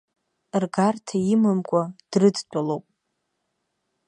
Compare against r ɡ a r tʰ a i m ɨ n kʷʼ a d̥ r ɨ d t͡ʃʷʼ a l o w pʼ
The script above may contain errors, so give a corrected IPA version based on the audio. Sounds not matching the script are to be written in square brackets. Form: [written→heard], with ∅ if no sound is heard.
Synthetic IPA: r ɡ a r tʰ a i m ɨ [n→m] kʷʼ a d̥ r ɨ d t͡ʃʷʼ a l o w pʼ